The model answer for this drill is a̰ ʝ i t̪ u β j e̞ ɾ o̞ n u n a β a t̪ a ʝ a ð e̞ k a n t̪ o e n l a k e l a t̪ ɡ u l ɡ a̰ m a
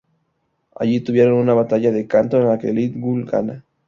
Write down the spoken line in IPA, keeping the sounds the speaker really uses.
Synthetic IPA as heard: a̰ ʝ i t̪ u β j e̞ ɾ o̞ n u n a β a t̪ a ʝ a ð e̞ k a n t̪ o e n l a k e l i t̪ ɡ u l ɡ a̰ n a

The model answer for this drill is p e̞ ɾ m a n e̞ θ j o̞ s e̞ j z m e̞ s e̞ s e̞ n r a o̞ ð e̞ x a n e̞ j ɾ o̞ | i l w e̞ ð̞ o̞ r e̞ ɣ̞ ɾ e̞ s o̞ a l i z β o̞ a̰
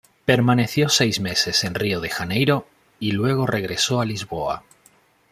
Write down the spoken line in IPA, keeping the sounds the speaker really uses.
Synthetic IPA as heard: p e̞ ɾ m a n e̞ θ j o̞ s e̞ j z m e̞ s e̞ s e̞ n r i o̞ ð e̞ x a n e̞ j ɾ o̞ | i l w e̞ ɣ̞ o̞ r e̞ ɣ̞ ɾ e̞ s o̞ a l i z β o̞ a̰

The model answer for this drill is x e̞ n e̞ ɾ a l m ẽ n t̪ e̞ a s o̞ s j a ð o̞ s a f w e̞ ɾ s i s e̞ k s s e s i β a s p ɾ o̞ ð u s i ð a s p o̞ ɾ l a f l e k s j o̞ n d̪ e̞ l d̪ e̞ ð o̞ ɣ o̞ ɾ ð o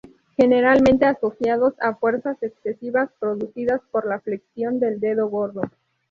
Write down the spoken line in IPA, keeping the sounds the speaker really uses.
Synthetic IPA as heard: x e̞ n e̞ ɾ a l m ẽ n t̪ e̞ a s o̞ s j a ð o̞ s a f w e̞ ɾ s a s e̞ k s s e s i β a s p ɾ o̞ ð u s i ð a s p o̞ ɾ l a f l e k s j o̞ n d̪ e̞ l d̪ e̞ ð o̞ ɣ o̞ ɾ ð o

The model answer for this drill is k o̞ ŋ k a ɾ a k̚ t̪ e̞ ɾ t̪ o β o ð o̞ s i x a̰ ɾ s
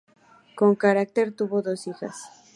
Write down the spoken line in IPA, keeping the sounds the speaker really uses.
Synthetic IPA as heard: k o̞ ŋ k a ɾ a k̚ t̪ e̞ ɾ t̪ u β o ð o̞ s i x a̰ s

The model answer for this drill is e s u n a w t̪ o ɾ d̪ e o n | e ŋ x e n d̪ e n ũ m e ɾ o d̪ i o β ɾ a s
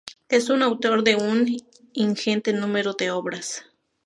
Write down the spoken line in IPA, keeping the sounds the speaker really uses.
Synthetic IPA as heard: e s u n a w t̪ o ɾ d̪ e u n | i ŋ x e n t̪ e n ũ m e ɾ o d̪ e o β ɾ a s

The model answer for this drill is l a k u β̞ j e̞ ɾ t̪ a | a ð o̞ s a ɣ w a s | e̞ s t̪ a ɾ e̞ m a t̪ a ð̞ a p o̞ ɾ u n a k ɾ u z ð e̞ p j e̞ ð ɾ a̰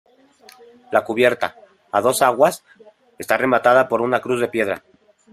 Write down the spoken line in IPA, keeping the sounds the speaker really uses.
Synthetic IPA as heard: l a k u β̞ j e̞ ɾ t̪ a | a ð o̞ s a ɣ w a s | e̞ s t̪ a r e̞ m a t̪ a ð̞ a p o̞ ɾ u n a k ɾ u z ð e̞ p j e̞ ð ɾ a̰

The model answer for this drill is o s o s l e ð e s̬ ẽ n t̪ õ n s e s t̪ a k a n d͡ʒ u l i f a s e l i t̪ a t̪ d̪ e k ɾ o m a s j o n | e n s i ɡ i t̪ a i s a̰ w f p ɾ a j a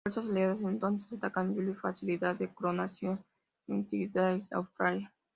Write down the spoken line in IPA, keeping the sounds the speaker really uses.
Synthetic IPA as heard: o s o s l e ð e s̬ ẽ n t̪ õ n s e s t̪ a k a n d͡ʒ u l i f a s i l i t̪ a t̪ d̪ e k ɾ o n a s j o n | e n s i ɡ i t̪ a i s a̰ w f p ɾ a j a

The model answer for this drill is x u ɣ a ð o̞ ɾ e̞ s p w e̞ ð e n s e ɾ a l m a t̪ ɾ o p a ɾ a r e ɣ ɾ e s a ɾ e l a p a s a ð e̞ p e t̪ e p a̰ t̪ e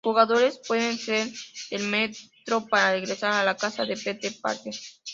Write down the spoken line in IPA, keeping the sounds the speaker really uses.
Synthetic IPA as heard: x u ɣ a ð o̞ ɾ e̞ s p w e̞ ð e n s e ɾ e l m e t̪ ɾ o p a ɾ a r e ɣ ɾ e s a ɾ a l a k a s a ð e̞ p e t̪ e p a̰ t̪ e

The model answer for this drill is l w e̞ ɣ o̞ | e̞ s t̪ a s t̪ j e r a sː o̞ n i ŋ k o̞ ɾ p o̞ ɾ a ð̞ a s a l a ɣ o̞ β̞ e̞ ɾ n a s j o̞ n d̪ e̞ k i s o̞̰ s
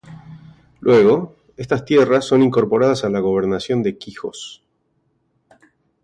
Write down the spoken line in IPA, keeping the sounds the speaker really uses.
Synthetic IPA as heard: l w e̞ ɣ o̞ | e̞ s t̪ a s t̪ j e r a sː o̞ n i ŋ k o̞ ɾ p o̞ ɾ a ð̞ a s a l a ɣ o̞ β̞ e̞ ɾ n a s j o̞ n d̪ e̞ k i x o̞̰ s

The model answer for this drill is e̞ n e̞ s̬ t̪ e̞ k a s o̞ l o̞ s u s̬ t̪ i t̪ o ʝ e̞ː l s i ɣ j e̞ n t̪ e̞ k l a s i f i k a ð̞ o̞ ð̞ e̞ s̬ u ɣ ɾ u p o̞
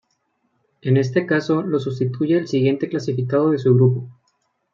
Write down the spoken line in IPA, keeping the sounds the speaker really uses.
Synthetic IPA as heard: e̞ n e̞ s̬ t̪ e̞ k a s o̞ l o̞ s u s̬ t̪ i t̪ u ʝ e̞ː l s i ɣ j e̞ n t̪ e̞ k l a s i f i k a ð̞ o̞ ð̞ e̞ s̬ u ɣ ɾ u p o̞

